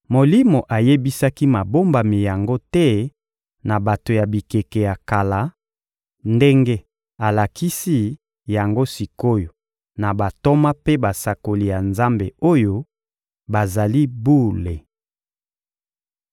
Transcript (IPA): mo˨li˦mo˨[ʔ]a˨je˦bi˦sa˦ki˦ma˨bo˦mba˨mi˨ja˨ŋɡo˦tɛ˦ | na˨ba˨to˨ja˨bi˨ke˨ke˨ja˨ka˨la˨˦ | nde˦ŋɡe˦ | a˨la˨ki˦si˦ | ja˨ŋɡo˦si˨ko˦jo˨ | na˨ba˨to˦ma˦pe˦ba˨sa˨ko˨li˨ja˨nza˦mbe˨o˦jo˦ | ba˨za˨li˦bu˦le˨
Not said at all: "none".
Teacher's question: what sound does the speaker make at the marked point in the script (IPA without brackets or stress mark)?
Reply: ʔ